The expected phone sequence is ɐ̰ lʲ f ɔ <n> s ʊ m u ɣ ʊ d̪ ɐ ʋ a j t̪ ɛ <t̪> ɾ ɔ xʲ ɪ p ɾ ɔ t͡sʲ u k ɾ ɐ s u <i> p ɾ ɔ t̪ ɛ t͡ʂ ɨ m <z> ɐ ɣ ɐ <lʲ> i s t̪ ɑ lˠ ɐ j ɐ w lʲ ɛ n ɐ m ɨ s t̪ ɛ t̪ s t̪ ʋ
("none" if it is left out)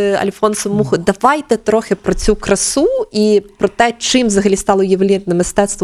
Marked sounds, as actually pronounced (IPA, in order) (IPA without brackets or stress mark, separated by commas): n, t̪, i, z, lʲ